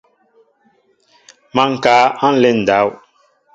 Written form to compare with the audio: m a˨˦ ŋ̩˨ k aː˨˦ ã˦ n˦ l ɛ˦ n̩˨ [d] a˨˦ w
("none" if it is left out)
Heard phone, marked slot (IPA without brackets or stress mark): d